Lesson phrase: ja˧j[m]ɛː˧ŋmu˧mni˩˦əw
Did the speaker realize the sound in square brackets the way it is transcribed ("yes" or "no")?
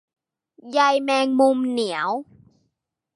yes